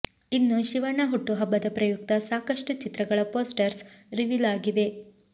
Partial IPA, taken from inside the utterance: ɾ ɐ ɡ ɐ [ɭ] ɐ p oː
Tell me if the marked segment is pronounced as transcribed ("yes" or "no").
yes